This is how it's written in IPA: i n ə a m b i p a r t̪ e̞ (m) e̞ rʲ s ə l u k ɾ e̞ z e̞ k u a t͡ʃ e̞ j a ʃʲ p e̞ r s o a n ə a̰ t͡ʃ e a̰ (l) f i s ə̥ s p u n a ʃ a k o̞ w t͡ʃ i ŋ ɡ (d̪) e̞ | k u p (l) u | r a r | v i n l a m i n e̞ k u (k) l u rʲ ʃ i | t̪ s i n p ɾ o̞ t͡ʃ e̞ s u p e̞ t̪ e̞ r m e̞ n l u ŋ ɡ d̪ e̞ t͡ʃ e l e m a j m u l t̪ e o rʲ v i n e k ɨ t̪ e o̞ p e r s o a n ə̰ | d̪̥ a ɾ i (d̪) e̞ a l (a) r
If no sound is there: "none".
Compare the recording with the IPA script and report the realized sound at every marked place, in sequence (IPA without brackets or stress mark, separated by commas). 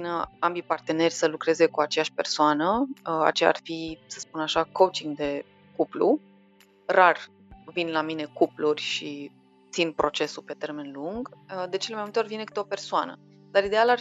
n, r, d̪, l, p, d̪, a